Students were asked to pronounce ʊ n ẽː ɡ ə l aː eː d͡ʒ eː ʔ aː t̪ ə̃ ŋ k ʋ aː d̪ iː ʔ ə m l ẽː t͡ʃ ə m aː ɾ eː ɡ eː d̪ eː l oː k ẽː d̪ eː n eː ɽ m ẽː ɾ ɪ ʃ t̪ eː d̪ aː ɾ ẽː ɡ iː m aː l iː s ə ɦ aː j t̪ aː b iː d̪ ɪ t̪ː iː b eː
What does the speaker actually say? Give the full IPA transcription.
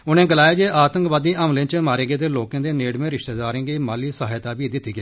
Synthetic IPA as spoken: ʊ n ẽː ɡ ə l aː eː d͡ʒ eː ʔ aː t̪ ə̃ ŋ k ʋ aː d̪ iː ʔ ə m l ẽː t͡ʃ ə m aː ɾ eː ɡ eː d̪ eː l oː k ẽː d̪ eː n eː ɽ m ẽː ɾ ɪ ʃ t̪ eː d̪ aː ɾ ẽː ɡ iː m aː l iː s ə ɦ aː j t̪ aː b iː d̪ ɪ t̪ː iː ɡ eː